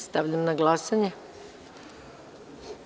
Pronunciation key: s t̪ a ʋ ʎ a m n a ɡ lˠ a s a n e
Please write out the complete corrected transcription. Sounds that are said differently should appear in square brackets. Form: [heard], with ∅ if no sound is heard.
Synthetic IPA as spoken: s t̪ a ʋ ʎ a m n a ɡ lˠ a s a [ɲ] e

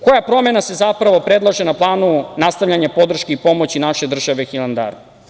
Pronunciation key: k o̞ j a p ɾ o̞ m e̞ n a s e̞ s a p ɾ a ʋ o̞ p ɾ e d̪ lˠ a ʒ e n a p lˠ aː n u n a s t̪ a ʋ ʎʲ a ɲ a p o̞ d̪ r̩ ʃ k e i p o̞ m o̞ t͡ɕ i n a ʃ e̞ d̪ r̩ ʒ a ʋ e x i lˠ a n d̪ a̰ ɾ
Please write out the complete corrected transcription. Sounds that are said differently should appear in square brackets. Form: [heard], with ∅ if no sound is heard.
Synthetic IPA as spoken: k o̞ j a p ɾ o̞ m e̞ n a s e̞ [z] a p ɾ a ʋ o̞ p ɾ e d̪ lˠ a ʒ e n a p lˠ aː n u n a s t̪ a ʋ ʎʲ a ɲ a p o̞ d̪ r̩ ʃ k e i p o̞ m o̞ t͡ɕ i n a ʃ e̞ d̪ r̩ ʒ a ʋ e x i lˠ a n d̪ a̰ ɾ

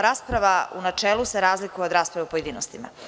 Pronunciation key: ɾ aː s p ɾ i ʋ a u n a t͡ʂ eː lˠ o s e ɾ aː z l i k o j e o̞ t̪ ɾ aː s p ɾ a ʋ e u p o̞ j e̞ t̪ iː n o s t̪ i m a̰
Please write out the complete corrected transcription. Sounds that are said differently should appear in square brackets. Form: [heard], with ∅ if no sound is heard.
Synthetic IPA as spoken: ɾ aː s p ɾ [a] ʋ a u n a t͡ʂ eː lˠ [u] s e ɾ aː z l i k [u] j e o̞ [d̪] ɾ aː s p ɾ a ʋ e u p o̞ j e̞ [d̪] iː n o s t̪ i m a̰

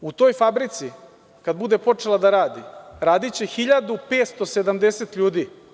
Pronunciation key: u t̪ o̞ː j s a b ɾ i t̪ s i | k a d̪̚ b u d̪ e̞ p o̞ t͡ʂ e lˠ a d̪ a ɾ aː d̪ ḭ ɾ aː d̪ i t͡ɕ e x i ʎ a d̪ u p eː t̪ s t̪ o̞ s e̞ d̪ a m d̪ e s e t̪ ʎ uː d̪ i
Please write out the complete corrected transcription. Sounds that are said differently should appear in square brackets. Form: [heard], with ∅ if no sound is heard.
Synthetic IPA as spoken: u t̪ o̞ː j [f] a b ɾ i t̪ s i | k a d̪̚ b u d̪ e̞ p o̞ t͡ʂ e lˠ a d̪ a ɾ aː d̪ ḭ ɾ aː d̪ i t͡ɕ e x i ʎ a d̪ u p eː t̪ s t̪ o̞ s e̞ d̪ a m d̪ e s e t̪ ʎ uː d̪ i

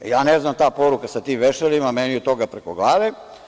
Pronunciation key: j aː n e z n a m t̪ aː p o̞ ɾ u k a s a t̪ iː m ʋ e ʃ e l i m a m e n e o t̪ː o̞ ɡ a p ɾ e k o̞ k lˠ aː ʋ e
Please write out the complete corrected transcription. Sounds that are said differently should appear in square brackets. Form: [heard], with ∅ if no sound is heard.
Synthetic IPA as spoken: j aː n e z n a m t̪ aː p o̞ ɾ u k a s a t̪ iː m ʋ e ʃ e l i m a m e n [i] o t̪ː o̞ ɡ a p ɾ e k o̞ [ɡ] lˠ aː ʋ e

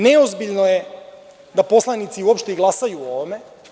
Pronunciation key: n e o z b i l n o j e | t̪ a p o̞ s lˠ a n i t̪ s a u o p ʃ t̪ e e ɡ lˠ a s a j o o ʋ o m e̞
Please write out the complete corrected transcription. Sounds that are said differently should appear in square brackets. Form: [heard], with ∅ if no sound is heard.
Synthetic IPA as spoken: n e o z b i [ʎ] n o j e | [d̪] a p o̞ s lˠ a n i t̪ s [i] u o p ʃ t̪ e [i] ɡ lˠ a s a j [u] o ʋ o m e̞

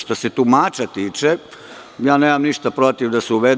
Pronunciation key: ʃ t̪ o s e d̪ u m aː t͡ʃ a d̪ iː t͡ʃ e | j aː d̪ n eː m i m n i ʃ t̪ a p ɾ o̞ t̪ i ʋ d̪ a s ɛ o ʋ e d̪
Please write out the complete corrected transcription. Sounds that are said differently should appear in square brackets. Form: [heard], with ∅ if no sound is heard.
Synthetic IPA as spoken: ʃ t̪ o s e [t̪] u m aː t͡ʃ a [t̪] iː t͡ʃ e | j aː [∅] n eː m [a] m n i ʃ t̪ a p ɾ o̞ t̪ i ʋ d̪ a s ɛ [u] ʋ e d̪

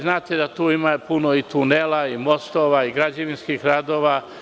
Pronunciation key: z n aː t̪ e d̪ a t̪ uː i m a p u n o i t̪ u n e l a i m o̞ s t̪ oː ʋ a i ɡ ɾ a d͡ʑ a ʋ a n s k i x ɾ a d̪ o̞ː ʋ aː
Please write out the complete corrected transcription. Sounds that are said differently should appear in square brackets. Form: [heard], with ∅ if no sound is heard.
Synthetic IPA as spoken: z n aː t̪ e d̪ a t̪ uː i m a p u n o i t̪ u n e l a i m o̞ s t̪ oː ʋ a i ɡ ɾ a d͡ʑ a ʋ [i] n s k i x ɾ a d̪ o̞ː ʋ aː

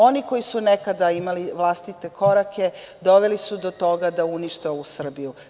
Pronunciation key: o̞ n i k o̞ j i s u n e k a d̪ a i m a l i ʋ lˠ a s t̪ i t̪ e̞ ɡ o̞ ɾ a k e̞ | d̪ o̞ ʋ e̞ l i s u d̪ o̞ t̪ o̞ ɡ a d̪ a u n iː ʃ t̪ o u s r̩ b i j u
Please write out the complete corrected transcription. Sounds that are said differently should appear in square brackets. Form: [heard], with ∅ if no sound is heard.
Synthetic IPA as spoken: o̞ n i k o̞ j i s u n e k a d̪ a i m a l i ʋ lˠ a s t̪ i t̪ e̞ [k] o̞ ɾ a k e̞ | d̪ o̞ ʋ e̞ l i s u d̪ o̞ t̪ o̞ ɡ a d̪ a u n [i] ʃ t̪ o u s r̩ b i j u

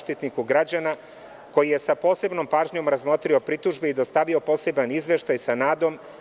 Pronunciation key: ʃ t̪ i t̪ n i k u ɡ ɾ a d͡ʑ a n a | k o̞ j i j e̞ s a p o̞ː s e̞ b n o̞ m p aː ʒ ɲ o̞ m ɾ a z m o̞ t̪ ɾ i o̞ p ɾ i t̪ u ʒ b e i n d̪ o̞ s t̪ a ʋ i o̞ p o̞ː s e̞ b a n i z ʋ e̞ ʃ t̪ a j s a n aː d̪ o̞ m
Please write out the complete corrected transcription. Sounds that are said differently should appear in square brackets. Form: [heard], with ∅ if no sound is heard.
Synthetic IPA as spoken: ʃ t̪ i t̪ n i k u ɡ ɾ a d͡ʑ a n a | k o̞ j i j e̞ s a p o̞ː s e̞ b n o̞ m p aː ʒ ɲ o̞ m ɾ a z m o̞ t̪ ɾ i o̞ p ɾ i t̪ u ʒ b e i [∅] d̪ o̞ s t̪ a ʋ i o̞ p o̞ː s e̞ b a n i z ʋ e̞ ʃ t̪ a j s a n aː d̪ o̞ m

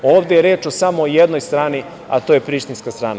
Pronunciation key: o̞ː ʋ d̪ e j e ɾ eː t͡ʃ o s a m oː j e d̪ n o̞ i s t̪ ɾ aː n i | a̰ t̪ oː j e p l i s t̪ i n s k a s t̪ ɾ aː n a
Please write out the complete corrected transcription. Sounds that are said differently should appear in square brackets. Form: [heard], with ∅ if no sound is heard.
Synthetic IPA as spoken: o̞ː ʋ d̪ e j e ɾ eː t͡ʃ o s a m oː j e d̪ n o̞ [j] s t̪ ɾ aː n i | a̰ t̪ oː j e p [ɾ] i [ʃ] t̪ i n s k a s t̪ ɾ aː n a

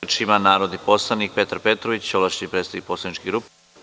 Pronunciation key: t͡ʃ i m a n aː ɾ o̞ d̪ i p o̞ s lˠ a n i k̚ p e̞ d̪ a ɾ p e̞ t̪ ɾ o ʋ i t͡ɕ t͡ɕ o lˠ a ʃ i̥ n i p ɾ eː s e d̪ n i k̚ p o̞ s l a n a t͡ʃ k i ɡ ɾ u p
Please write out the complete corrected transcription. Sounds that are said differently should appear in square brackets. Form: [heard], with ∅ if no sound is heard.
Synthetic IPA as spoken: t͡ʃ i m a n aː ɾ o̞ d̪ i p o̞ s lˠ a n i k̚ p e̞ [t̪] a ɾ p e̞ t̪ ɾ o ʋ i t͡ɕ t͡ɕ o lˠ a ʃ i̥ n i p ɾ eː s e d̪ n i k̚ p o̞ s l a n [i] t͡ʃ k i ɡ ɾ u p

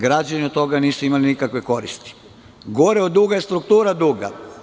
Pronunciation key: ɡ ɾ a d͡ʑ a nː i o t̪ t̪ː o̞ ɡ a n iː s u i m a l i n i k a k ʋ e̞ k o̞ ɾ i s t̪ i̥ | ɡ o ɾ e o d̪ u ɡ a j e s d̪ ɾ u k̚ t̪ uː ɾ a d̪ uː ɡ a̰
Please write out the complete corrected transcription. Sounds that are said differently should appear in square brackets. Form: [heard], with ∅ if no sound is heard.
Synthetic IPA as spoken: ɡ ɾ a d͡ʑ a [n] i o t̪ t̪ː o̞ ɡ a n iː s u i m a l i n i k a k ʋ e̞ k o̞ ɾ i s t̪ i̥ | ɡ o ɾ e o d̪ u ɡ a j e s [t̪] ɾ u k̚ t̪ uː ɾ a d̪ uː ɡ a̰

